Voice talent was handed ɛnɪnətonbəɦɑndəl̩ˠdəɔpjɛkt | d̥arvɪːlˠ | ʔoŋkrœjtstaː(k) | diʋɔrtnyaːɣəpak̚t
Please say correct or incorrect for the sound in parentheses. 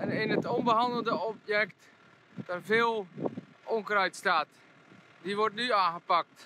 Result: incorrect